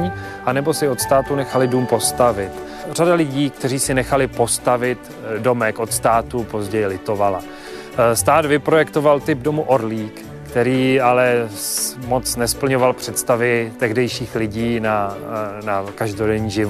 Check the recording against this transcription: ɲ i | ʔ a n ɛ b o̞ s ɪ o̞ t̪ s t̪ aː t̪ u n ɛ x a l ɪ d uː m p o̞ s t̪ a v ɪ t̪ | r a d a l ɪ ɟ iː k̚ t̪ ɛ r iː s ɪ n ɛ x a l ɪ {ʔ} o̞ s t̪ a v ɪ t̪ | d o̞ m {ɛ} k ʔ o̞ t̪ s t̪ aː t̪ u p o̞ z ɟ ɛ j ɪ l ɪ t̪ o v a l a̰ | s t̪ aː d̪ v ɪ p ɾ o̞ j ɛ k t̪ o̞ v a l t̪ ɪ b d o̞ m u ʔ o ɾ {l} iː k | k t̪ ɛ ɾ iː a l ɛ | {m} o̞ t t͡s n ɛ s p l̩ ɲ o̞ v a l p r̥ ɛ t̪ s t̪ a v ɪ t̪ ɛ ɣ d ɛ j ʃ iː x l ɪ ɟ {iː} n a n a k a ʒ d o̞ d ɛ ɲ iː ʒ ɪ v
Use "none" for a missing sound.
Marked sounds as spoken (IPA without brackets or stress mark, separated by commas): p, ɛ, l, m, iː